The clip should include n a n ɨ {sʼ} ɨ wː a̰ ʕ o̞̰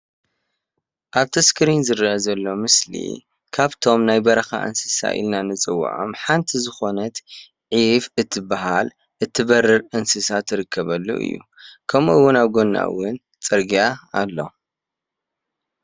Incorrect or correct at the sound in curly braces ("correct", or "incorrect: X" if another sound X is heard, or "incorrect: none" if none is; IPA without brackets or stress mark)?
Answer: incorrect: t͡sʼ